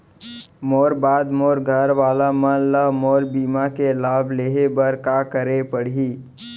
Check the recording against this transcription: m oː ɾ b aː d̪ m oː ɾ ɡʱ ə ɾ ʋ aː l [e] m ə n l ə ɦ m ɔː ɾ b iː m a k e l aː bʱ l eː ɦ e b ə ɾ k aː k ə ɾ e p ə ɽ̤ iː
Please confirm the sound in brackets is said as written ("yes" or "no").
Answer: no